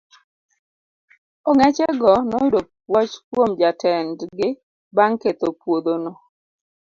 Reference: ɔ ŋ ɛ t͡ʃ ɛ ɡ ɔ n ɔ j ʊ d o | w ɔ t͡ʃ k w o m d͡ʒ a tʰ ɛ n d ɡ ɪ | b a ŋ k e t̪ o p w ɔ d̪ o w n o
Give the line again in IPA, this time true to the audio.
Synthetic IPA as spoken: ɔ ŋ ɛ t͡ʃ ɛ ɡ ɔ n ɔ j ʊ d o | w ɔ t͡ʃ k w o m d͡ʒ a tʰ ɛ n d ɡ ɪ | b a ŋ k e t̪ o p w o d̪ o n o